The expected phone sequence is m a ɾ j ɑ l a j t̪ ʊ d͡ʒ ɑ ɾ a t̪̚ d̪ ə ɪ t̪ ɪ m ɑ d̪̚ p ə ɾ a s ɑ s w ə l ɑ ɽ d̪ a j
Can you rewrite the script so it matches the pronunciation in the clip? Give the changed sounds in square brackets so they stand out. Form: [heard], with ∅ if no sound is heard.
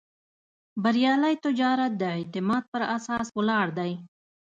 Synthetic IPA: [b] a ɾ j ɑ l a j t̪ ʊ d͡ʒ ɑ ɾ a t̪̚ d̪ ə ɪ t̪ ɪ m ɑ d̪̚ p ə ɾ a s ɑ s w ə l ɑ ɽ d̪ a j

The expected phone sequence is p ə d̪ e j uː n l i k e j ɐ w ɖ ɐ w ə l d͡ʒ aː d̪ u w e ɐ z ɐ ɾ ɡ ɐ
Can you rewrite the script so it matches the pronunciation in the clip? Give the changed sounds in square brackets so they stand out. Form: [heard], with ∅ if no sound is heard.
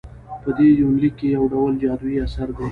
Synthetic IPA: p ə d̪ e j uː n l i k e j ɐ w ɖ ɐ w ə l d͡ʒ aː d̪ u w [i] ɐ [s] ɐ ɾ ɡ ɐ

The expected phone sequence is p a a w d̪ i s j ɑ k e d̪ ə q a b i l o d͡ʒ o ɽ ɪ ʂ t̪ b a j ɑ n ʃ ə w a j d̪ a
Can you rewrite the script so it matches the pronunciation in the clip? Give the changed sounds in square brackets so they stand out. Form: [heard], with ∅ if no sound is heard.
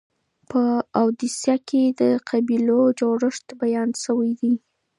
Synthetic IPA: p [ə] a w d̪ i s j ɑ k e d̪ ə q a b i l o d͡ʒ o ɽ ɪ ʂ t̪ b a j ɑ n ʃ ə w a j d̪ [i]

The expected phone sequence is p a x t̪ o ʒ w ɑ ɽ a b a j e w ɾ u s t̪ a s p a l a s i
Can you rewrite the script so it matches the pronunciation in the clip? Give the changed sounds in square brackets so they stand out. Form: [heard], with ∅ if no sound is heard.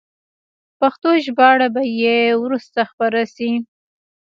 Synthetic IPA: p a x t̪ o ʒ [b] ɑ ɽ a b a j e w ɾ u s t̪ a [x] p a [ɾ] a s i

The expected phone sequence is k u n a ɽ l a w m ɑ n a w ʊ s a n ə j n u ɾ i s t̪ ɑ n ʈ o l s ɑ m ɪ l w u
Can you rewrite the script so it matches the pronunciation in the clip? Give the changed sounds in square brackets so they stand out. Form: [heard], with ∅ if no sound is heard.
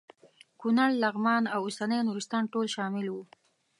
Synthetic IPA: k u n a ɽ l a [ɣ] m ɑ n a w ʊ s a n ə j n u ɾ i s t̪ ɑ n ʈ o l [ʃ] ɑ m ɪ l w u

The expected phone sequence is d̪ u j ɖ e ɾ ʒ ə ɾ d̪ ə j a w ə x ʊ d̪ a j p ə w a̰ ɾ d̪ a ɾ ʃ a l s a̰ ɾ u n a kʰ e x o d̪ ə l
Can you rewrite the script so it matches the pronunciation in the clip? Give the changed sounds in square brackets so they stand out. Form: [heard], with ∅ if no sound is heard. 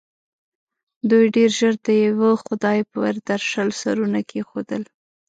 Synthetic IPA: d̪ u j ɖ e ɾ ʒ ə ɾ d̪ ə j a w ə x ʊ d̪ [ɑ] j p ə w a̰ ɾ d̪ a ɾ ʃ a l s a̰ ɾ u n a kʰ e x o d̪ ə l

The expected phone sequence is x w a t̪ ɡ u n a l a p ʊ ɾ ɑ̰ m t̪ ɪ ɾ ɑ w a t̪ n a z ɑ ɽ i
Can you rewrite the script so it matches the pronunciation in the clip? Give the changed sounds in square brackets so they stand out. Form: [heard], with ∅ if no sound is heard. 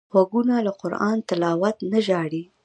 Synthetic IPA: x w a [∅] ɡ u n a l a [q] ʊ ɾ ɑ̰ [n] t̪ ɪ [l] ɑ w a t̪ n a [ʒ] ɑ ɽ i

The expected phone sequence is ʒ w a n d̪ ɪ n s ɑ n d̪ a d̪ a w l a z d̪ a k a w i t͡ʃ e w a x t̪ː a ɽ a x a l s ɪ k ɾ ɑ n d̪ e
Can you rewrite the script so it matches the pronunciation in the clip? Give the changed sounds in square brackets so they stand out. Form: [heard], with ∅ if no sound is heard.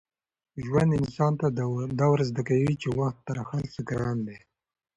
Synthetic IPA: ʒ w a n d̪ ɪ n s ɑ n [t̪] a d̪ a w [ɾ] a z d̪ a k a w i t͡ʃ e w a x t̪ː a [ɾ] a x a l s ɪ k ɾ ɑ n d̪ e

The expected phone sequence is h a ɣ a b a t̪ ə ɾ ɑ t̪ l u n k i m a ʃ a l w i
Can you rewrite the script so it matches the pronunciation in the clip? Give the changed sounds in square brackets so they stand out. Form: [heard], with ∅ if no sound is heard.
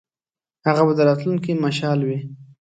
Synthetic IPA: h a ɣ a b a [d̪] ə ɾ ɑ t̪ l u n k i m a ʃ [ɑ] l w i

